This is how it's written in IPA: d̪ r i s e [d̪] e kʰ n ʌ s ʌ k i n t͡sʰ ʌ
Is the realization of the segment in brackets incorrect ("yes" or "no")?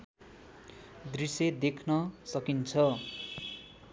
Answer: no